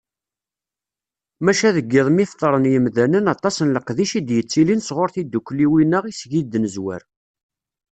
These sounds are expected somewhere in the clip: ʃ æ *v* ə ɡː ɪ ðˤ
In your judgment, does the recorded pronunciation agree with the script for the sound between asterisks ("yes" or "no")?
no